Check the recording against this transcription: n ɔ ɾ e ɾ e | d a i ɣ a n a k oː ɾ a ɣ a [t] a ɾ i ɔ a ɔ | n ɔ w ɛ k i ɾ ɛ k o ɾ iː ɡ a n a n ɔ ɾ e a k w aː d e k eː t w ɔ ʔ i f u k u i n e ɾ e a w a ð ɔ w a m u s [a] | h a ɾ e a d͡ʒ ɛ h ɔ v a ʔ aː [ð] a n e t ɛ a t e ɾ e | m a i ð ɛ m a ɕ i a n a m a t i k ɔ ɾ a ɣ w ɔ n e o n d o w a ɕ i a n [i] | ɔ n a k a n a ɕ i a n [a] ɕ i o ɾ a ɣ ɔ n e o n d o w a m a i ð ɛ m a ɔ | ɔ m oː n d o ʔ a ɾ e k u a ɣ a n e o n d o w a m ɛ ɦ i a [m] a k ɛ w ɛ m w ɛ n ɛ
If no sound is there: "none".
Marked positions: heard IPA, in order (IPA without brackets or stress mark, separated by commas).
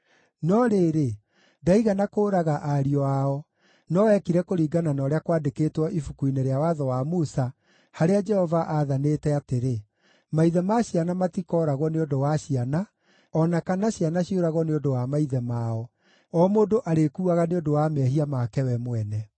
ʔ, a, ð, a, a, m